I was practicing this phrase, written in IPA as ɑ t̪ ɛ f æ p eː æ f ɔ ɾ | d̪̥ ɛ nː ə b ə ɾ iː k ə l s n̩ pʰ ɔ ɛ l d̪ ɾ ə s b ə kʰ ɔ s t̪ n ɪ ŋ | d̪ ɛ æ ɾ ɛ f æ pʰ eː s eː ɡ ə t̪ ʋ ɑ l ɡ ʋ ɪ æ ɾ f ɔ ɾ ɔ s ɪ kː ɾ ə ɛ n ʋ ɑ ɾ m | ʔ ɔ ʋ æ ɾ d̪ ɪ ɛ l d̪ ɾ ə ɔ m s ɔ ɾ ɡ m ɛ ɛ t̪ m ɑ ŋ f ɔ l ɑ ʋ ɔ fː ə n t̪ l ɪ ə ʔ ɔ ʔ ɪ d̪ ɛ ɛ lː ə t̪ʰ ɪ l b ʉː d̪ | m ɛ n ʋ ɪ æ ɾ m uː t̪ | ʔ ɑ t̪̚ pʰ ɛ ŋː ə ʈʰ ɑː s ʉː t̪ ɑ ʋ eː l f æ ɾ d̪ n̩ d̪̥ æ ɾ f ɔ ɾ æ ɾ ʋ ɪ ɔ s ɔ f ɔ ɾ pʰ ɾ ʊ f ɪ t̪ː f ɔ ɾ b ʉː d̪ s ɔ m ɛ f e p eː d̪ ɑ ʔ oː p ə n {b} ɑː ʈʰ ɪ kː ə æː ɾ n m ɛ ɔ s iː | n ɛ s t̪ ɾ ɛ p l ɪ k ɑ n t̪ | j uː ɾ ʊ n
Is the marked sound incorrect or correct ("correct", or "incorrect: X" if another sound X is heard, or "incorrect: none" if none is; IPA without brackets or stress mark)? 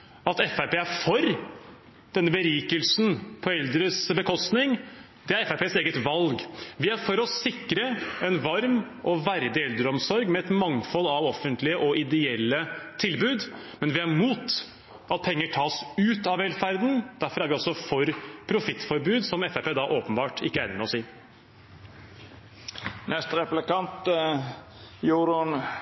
correct